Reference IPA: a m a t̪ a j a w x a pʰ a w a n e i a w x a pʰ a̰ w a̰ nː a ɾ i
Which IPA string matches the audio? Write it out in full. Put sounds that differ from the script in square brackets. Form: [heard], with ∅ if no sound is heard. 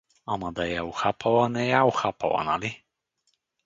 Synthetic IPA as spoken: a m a [d̪] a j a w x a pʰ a w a n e [j] a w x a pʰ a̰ w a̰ [n] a [l] i

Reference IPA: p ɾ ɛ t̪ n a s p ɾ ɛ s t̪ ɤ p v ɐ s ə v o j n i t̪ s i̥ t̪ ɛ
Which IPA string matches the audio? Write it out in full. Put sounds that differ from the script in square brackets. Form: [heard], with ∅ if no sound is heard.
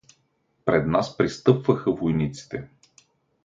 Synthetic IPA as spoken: p ɾ ɛ [d̪] n a s p ɾ [i] s t̪ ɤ p v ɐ [x] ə v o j n i t̪ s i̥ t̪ ɛ

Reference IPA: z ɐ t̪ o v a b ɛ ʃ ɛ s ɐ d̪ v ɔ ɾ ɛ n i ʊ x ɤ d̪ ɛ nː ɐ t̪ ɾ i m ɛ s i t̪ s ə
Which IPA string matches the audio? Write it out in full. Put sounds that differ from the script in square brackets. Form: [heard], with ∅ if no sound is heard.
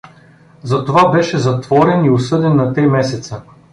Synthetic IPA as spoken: z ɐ t̪ o v a b ɛ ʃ ɛ [z] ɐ [t̪] v ɔ ɾ ɛ n i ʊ [s] ɤ d̪ ɛ nː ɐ t̪ ɾ i m ɛ s [ɛ] t̪ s ə

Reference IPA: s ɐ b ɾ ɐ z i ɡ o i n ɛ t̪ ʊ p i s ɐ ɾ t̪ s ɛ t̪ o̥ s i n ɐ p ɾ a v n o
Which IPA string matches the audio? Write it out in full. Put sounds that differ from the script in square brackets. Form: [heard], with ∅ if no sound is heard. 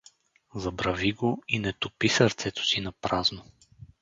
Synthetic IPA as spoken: [z] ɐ b ɾ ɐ [v] i ɡ o i n ɛ t̪ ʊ p i s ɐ ɾ t̪ s ɛ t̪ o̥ s i n ɐ p ɾ a [z] n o

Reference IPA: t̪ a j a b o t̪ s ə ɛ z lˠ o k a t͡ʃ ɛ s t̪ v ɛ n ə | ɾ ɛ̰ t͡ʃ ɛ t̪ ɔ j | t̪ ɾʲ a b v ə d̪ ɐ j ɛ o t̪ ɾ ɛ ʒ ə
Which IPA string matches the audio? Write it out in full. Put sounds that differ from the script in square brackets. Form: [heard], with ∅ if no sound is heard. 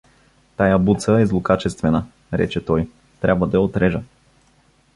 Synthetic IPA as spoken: t̪ a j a b [u] t̪ s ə ɛ z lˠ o k a t͡ʃ ɛ s t̪ v ɛ n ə | ɾ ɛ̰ t͡ʃ ɛ t̪ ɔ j | t̪ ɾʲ a b v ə d̪ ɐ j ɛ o t̪ ɾ ɛ ʒ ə

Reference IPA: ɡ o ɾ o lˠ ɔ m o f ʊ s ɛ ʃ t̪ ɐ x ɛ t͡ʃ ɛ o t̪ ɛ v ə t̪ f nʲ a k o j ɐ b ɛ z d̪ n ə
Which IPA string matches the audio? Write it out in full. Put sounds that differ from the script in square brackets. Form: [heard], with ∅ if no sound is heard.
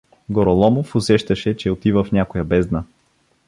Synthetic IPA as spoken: ɡ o ɾ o lˠ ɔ m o f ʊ s ɛ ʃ t̪ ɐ [ʃ] ɛ t͡ʃ ɛ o t̪ [i] v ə [∅] f nʲ a k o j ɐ b ɛ z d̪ n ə

